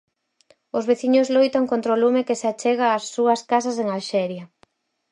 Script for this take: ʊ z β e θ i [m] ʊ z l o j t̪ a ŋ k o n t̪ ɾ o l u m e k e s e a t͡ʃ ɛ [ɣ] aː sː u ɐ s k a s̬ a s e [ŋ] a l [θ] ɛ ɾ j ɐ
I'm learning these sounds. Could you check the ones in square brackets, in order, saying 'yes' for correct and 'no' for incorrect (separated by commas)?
no, yes, yes, no